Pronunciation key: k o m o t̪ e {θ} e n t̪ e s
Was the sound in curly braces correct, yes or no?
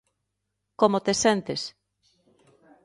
no